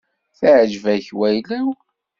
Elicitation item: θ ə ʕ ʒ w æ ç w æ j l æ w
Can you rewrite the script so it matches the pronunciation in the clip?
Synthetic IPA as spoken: θ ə ʕ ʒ v æ ç w æ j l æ w